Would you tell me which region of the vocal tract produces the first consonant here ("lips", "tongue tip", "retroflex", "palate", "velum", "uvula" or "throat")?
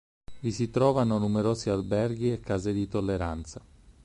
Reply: lips